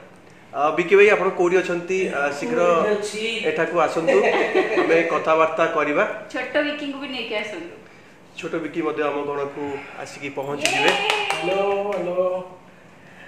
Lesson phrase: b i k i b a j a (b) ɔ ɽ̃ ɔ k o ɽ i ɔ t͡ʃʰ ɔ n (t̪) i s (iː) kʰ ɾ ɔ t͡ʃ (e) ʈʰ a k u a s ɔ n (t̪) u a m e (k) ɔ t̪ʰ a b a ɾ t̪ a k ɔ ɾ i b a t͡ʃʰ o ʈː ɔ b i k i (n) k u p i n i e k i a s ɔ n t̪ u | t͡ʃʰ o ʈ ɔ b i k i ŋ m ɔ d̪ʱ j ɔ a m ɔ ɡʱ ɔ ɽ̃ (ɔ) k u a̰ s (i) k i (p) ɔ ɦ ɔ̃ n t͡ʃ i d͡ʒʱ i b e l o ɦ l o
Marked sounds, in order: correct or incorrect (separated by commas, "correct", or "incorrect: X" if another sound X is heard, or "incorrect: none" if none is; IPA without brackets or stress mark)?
incorrect: p, correct, incorrect: i, correct, correct, correct, incorrect: ŋ, correct, correct, correct